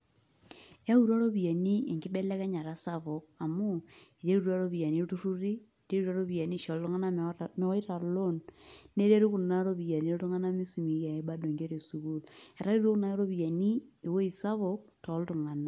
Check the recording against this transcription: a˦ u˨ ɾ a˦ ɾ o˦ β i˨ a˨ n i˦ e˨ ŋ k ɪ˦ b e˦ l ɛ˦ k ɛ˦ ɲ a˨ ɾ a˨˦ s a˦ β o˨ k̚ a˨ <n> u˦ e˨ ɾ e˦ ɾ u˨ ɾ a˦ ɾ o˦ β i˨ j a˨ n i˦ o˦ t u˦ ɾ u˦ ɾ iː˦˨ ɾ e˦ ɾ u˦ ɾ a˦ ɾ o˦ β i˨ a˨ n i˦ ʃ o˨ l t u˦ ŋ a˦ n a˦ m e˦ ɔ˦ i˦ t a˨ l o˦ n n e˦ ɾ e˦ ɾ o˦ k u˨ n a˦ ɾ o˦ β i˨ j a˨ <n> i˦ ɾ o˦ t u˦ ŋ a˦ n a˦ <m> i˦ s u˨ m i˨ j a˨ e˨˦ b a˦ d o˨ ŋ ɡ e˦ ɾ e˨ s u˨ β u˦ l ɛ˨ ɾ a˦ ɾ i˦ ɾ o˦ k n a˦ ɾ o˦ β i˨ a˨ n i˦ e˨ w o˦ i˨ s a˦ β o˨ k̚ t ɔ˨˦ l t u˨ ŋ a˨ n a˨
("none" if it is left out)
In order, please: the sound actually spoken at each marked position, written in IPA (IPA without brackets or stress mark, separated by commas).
m, n, m